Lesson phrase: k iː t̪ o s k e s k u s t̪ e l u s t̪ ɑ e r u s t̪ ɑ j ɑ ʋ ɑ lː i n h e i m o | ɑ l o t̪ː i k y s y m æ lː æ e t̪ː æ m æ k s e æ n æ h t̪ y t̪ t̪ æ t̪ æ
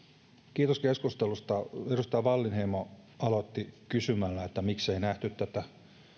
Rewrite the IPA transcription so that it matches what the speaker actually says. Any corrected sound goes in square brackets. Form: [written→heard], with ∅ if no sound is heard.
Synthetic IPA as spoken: k iː t̪ o s k e s k u s t̪ e l u s t̪ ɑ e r u s t̪ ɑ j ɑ ʋ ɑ lː i n h e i m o | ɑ l o t̪ː i k y s y m æ lː æ e t̪ː æ m [æ→i] k s e [æ→i] n æ h t̪ y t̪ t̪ æ t̪ æ